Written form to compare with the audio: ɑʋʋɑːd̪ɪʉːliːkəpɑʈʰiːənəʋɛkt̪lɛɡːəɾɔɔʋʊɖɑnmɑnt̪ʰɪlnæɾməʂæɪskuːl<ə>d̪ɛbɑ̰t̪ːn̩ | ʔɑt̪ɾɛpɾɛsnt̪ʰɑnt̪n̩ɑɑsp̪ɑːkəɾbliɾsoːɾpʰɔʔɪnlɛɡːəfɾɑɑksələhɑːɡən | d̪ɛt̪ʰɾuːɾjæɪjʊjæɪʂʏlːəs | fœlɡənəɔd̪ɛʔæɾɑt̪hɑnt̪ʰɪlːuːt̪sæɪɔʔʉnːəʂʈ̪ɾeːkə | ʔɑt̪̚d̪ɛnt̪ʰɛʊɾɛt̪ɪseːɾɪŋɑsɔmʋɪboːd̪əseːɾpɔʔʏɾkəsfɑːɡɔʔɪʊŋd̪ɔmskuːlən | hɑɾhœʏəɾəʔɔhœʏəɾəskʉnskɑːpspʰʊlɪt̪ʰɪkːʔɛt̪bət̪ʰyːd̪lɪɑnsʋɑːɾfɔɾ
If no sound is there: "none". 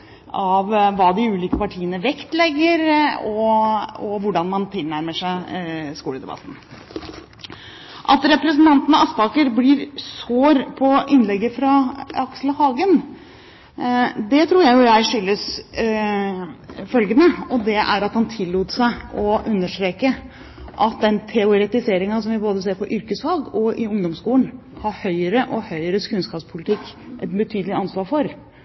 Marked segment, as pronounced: ə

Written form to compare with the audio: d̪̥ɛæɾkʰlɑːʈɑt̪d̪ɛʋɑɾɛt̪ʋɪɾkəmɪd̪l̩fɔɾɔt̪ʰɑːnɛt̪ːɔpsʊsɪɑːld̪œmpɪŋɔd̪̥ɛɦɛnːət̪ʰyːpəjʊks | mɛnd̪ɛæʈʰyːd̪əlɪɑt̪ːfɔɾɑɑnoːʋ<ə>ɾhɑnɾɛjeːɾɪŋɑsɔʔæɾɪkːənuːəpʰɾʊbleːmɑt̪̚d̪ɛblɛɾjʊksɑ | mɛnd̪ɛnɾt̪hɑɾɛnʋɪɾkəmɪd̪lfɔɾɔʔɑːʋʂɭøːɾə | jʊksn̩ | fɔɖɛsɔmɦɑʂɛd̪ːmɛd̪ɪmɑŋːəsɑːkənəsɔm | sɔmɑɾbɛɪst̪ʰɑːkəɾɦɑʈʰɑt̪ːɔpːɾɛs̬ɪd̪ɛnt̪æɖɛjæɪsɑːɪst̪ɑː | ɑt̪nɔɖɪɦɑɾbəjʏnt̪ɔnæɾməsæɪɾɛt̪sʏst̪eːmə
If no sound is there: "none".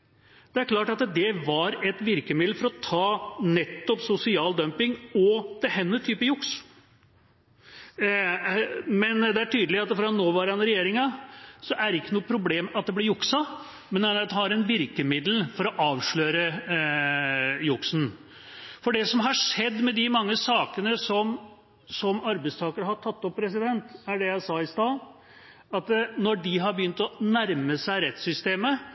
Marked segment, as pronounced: ɑ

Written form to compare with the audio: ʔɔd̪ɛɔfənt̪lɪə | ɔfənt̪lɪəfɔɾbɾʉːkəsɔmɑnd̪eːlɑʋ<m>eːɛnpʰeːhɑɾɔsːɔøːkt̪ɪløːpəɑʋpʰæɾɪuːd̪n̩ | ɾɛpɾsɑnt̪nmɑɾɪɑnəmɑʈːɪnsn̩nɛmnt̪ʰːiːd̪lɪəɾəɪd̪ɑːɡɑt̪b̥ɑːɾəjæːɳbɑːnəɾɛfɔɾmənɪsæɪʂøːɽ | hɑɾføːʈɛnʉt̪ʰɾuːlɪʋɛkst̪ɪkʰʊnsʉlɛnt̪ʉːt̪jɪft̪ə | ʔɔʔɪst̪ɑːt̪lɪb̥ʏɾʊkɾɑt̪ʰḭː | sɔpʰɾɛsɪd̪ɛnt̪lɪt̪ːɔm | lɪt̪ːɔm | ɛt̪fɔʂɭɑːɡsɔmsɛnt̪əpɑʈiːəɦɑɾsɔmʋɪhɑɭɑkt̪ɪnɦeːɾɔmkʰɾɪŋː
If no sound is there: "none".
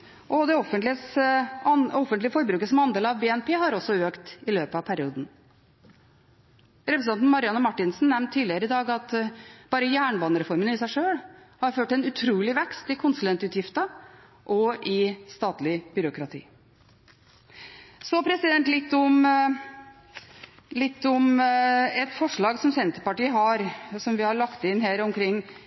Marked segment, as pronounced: b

